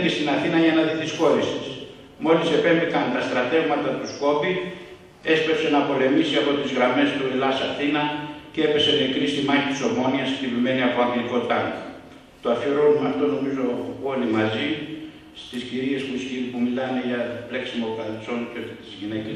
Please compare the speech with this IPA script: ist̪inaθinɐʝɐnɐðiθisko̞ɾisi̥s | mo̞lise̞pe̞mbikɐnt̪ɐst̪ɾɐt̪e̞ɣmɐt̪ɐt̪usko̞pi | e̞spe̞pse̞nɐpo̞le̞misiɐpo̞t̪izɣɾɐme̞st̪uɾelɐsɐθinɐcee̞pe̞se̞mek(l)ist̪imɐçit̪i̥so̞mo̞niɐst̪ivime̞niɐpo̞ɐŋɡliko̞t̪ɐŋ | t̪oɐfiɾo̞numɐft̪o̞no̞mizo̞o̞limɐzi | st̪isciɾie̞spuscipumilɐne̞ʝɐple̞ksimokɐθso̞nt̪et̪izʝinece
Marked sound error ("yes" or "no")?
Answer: yes